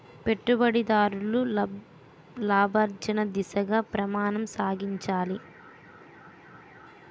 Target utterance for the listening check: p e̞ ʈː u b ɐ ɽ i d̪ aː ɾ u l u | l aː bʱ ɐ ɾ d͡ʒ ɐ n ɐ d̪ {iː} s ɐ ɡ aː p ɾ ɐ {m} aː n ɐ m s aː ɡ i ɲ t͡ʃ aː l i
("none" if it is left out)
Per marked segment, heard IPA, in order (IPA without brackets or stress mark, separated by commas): i, m